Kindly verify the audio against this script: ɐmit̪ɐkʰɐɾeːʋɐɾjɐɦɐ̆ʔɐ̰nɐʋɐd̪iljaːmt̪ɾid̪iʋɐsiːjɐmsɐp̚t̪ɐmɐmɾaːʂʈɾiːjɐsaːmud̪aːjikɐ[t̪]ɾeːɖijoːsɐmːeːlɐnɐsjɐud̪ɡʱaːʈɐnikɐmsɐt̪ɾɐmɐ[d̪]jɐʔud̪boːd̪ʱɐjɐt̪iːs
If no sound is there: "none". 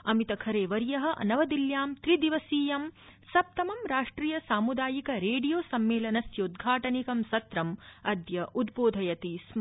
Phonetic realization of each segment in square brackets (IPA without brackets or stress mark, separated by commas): none, d̪